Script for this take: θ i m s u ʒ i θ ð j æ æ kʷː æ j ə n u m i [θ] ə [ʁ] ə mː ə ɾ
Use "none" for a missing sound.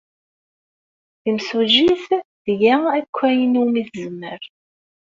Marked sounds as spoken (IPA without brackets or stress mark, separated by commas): θ, z